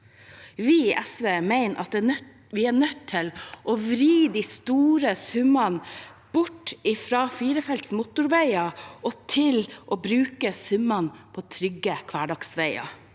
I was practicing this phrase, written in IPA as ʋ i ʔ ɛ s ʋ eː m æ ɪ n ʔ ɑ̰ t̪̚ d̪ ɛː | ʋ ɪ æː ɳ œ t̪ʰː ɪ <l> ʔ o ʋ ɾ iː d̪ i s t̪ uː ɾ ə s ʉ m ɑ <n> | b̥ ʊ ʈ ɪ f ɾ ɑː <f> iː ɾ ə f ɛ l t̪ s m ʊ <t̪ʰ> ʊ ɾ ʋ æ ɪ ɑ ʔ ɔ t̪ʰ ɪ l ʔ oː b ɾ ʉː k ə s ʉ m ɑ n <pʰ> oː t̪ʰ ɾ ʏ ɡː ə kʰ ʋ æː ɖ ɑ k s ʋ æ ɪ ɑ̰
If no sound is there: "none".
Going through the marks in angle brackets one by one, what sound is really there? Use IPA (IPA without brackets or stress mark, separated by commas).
l, n, f, t̪, pʰ